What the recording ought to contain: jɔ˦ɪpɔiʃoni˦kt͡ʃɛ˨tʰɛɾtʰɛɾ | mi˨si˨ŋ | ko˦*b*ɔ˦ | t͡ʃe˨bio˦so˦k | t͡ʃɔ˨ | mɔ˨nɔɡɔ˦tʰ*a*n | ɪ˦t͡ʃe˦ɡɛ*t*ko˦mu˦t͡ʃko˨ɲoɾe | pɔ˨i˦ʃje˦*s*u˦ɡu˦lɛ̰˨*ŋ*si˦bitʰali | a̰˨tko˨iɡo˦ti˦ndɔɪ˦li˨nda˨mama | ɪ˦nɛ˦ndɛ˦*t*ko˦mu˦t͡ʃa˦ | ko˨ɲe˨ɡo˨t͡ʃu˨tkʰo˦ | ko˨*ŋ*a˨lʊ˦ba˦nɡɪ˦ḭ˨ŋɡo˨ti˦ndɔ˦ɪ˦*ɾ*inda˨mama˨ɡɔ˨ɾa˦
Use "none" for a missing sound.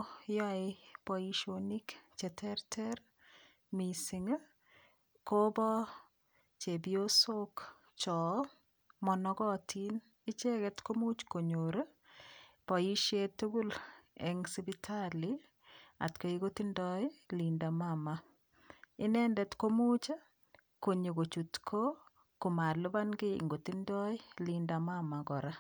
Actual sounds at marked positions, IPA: b, i, t, t, ŋ, t, m, l

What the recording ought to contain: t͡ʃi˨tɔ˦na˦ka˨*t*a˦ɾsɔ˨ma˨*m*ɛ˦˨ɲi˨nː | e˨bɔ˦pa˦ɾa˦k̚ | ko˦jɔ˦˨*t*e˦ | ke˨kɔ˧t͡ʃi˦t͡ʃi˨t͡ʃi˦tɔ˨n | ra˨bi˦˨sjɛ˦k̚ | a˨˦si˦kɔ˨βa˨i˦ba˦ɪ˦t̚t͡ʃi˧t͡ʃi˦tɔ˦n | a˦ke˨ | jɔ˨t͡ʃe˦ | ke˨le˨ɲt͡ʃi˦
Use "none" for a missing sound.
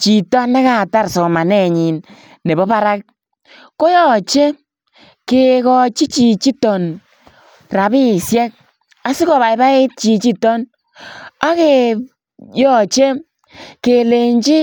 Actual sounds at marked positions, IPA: t, n, t͡ʃ

